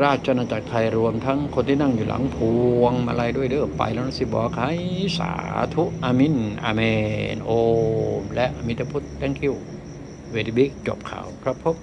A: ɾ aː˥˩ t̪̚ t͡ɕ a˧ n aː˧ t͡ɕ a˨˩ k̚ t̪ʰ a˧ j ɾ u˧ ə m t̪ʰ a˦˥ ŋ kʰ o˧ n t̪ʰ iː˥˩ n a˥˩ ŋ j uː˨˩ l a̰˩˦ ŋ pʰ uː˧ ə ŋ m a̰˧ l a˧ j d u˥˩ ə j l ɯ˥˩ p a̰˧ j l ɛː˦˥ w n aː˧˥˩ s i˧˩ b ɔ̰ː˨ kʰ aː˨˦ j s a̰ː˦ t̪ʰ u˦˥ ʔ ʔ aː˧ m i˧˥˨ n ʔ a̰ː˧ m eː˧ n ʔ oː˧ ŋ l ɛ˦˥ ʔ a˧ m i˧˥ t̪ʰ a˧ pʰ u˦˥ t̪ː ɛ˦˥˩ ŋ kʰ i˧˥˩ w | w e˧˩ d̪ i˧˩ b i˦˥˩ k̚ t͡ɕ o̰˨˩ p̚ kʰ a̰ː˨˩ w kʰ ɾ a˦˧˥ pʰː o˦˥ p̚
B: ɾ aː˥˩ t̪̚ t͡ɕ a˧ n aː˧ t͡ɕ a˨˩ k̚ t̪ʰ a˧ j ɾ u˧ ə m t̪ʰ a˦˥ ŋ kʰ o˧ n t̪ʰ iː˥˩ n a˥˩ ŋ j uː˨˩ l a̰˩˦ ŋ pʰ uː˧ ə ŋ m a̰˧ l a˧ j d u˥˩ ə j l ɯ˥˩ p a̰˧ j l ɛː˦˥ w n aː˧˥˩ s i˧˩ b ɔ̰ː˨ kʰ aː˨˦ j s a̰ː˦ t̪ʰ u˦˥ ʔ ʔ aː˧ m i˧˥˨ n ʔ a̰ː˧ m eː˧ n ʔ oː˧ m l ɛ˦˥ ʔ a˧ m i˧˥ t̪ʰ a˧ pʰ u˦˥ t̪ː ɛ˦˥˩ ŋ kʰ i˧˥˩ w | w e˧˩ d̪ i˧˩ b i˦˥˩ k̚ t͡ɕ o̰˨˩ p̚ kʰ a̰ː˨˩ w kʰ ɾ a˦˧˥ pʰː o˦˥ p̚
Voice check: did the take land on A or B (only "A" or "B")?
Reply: B